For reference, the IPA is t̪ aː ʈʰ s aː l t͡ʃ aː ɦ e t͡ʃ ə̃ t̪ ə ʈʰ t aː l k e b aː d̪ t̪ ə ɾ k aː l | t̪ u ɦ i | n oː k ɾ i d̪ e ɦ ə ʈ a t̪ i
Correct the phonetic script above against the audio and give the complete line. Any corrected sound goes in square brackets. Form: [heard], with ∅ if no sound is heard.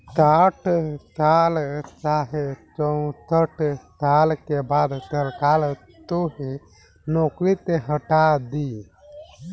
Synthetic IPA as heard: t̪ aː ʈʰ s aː l t͡ʃ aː ɦ e t͡ʃ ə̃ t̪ ə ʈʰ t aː l k e b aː d̪ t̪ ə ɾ k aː l | t̪ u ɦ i | n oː k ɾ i [t̪] e ɦ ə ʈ a [d̪] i

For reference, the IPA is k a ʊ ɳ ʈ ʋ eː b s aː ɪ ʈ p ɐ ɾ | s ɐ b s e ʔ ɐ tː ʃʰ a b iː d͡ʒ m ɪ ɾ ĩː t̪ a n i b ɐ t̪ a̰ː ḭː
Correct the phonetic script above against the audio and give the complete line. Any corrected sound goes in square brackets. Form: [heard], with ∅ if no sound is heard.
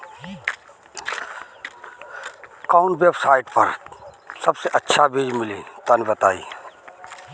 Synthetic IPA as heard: k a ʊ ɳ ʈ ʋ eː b s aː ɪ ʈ p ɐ ɾ | s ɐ b s e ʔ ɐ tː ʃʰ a b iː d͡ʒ m ɪ [l] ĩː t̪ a n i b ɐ t̪ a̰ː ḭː

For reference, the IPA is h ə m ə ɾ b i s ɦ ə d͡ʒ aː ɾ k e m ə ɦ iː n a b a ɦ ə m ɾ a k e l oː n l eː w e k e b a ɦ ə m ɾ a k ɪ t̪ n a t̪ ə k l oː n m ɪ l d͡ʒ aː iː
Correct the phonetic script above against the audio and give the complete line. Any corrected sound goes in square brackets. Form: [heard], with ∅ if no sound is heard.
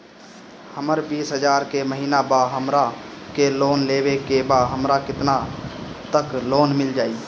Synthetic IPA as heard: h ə m ə ɾ b [iː] s ɦ ə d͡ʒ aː ɾ k e m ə ɦ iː n a b a ɦ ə m ɾ a k e l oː n l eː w e k e b a ɦ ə m ɾ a k ɪ t̪ n a t̪ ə k l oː n m ɪ l d͡ʒ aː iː

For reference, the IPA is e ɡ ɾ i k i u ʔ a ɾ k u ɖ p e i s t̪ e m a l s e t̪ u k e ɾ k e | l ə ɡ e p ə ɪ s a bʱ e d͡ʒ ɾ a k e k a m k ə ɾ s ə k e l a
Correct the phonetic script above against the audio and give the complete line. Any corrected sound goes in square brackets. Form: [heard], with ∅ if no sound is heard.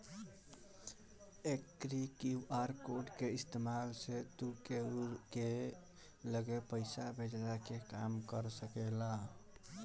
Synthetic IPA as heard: e [k] ɾ i k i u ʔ a ɾ k [o] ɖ [k] e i s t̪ e m a l s e t̪ u k e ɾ k e | l ə ɡ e p ə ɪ s a bʱ e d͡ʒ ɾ a k e k a m k ə ɾ s ə k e l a

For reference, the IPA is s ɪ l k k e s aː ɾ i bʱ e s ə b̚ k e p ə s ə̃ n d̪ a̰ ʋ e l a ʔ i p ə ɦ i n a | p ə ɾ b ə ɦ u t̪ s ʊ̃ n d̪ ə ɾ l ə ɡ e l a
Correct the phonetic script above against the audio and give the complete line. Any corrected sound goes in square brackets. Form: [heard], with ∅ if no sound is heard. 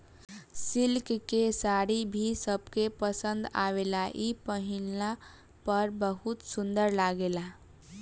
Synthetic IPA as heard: s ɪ l k k e s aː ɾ i bʱ [i] s ə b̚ k e p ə s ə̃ n d̪ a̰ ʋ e l a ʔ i p ə ɦ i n a | p ə ɾ b ə ɦ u t̪ s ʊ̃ n d̪ ə ɾ l [a] ɡ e l a

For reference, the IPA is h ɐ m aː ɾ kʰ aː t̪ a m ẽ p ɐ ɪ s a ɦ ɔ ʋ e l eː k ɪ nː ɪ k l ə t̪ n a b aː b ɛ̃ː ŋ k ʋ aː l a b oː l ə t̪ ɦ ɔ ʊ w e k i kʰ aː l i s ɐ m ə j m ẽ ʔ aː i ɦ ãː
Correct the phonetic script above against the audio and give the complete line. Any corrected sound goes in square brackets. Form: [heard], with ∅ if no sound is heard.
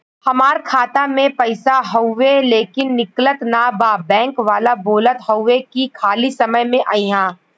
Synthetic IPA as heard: h ɐ m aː ɾ kʰ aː t̪ a m ẽ p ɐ ɪ s a ɦ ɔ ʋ e l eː k ɪ nː ɪ k l ə t̪ n a b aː b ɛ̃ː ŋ k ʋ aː l a b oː l ə t̪ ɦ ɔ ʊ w e k i kʰ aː l i s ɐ m ə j m ẽ ʔ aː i ɦ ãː

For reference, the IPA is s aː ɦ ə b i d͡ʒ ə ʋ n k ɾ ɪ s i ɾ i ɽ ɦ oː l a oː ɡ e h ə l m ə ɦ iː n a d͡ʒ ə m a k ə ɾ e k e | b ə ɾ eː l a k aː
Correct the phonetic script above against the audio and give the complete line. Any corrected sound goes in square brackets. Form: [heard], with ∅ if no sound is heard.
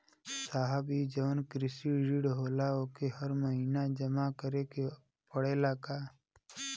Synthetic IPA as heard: s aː ɦ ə b i d͡ʒ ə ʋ n k ɾ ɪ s i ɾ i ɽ ɦ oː l a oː [k] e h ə [ɾ] m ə ɦ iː n a d͡ʒ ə m a k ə ɾ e k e | [p] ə [ɽ] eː l a k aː

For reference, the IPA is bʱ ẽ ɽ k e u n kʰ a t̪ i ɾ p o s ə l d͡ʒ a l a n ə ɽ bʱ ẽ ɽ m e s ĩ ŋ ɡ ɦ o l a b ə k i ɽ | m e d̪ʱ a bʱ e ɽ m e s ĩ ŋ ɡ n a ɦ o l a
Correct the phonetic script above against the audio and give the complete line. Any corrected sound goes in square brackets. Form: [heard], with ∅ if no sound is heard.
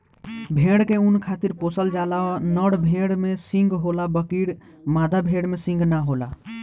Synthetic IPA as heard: bʱ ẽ ɽ k e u n kʰ a t̪ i ɾ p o s ə l d͡ʒ a l a n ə ɽ bʱ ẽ ɽ m e s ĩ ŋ ɡ ɦ o l a b ə k i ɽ | m [a] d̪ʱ a bʱ e ɽ m e s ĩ ŋ ɡ n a ɦ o l a

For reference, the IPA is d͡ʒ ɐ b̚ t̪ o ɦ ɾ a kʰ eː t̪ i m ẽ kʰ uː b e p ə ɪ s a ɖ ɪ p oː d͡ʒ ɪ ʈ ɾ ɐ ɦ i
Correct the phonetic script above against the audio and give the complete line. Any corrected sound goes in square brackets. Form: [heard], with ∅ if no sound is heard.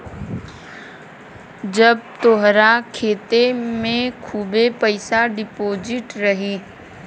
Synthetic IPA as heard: d͡ʒ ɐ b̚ t̪ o ɦ ɾ a kʰ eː t̪ [e] m ẽ kʰ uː b e p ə ɪ s a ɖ ɪ p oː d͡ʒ ɪ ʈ ɾ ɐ ɦ i

